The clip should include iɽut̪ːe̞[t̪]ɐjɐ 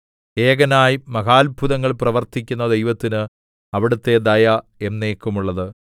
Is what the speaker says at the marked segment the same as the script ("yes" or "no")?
no